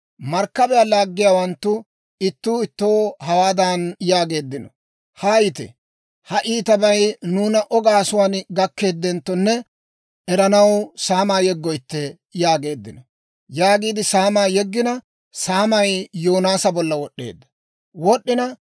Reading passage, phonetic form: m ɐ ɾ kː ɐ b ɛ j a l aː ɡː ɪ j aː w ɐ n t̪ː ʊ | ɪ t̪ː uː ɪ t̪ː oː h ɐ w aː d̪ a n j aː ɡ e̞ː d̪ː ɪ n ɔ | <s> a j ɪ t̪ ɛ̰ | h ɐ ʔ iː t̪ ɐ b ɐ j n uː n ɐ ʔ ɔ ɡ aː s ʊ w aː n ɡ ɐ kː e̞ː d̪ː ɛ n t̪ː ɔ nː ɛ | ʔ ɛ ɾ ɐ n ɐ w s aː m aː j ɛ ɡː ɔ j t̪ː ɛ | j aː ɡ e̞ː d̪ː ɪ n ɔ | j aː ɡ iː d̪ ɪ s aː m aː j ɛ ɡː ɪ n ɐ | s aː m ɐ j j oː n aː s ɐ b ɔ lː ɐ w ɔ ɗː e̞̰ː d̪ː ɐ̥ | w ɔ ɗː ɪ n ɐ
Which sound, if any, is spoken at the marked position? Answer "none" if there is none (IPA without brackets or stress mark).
h